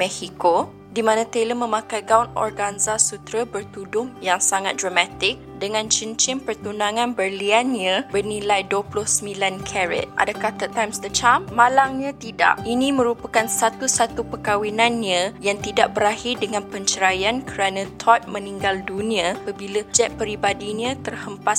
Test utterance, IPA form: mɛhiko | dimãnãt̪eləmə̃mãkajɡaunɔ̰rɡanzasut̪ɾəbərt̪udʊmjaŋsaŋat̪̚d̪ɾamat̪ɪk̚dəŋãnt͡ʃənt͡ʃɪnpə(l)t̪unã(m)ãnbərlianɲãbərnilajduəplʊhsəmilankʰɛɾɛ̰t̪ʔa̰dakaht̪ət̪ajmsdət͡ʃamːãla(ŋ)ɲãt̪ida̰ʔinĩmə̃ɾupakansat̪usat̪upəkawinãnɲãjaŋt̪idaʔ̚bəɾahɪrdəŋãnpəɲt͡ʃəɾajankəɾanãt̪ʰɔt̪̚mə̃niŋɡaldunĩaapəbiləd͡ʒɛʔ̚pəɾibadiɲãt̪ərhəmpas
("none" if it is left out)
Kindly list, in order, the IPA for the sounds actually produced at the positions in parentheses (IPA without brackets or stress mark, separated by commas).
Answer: r, ŋ, ŋ